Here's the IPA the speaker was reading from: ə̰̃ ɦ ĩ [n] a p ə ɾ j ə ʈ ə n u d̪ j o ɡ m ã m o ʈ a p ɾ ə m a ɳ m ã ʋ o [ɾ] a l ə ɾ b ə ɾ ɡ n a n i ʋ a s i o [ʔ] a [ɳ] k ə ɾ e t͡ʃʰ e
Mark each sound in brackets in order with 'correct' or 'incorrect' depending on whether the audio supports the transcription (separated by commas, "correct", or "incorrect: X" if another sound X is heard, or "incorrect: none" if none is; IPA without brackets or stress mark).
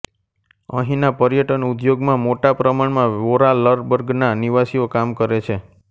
correct, correct, incorrect: k, incorrect: m